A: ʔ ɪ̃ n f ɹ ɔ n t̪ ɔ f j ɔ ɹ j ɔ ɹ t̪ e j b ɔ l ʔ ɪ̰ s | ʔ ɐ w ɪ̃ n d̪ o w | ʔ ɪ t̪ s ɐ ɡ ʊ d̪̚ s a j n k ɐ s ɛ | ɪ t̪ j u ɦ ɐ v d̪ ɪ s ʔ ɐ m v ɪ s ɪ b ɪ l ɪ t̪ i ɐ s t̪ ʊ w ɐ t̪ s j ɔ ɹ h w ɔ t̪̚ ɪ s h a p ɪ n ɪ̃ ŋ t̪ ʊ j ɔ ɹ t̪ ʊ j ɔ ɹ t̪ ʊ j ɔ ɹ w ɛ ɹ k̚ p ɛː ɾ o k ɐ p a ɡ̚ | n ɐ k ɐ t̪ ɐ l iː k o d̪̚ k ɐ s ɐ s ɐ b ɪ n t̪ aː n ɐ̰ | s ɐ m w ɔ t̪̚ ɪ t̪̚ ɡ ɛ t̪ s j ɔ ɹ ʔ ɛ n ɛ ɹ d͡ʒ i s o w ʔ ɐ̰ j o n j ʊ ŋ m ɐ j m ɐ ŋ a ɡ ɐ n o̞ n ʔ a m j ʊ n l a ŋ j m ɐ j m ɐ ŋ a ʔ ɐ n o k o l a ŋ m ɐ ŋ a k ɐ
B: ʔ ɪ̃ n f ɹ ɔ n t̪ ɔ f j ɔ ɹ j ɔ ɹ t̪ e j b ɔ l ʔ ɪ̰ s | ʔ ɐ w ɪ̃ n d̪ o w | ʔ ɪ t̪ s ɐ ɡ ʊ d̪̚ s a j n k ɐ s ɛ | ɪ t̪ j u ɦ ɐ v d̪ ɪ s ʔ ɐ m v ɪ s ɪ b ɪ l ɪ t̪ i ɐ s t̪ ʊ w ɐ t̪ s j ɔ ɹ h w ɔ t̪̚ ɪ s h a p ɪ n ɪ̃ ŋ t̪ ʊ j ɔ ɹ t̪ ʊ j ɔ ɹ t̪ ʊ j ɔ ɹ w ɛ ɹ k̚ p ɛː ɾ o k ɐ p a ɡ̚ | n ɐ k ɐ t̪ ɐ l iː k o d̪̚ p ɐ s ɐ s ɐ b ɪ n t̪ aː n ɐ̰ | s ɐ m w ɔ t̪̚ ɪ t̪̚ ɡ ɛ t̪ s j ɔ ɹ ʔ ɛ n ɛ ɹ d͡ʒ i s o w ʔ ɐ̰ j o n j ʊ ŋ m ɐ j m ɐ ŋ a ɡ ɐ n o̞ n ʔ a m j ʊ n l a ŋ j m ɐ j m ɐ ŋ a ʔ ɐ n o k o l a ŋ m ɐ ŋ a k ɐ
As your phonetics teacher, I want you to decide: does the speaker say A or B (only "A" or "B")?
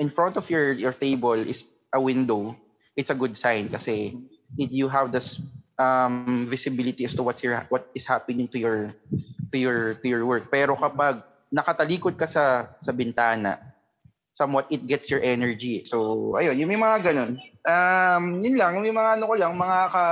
A